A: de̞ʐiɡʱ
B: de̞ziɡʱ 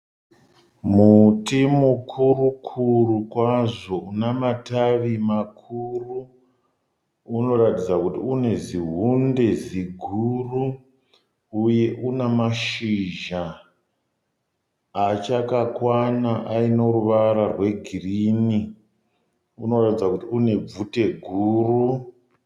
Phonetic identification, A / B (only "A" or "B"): B